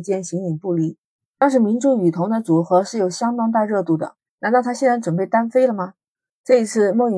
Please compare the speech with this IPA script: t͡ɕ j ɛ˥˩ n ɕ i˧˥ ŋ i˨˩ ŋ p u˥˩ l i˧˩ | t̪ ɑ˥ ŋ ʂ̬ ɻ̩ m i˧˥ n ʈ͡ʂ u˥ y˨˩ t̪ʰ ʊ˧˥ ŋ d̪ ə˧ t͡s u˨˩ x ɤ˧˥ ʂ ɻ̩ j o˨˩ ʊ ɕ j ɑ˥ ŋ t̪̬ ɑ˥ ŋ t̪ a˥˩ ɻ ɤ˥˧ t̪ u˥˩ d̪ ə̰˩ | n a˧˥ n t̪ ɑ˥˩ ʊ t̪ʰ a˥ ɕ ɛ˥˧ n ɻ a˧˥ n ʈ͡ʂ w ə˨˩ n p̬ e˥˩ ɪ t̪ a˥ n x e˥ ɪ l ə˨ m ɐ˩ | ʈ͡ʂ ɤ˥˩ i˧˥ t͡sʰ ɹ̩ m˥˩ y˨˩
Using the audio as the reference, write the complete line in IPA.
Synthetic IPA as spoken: t͡ɕ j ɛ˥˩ n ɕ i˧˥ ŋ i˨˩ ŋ p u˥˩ l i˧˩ | t̪ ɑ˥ ŋ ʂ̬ ɻ̩ m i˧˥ n ʈ͡ʂ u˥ y˨˩ t̪ʰ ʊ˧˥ ŋ d̪ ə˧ t͡s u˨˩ x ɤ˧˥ ʂ ɻ̩ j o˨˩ ʊ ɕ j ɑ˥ ŋ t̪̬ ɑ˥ ŋ t̪ a˥˧ ɻ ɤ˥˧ t̪ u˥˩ d̪ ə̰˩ | n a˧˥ n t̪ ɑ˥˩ ʊ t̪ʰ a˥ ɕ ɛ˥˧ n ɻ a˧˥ n ʈ͡ʂ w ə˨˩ n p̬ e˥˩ ɪ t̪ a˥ n f e˥ ɪ l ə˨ m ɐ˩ | ʈ͡ʂ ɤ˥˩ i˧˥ t͡sʰ ɹ̩ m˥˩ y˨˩